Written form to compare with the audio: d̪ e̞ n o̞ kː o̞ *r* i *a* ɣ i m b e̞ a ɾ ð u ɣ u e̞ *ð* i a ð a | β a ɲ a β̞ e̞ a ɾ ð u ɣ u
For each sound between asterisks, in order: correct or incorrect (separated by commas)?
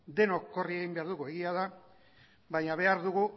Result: correct, incorrect, incorrect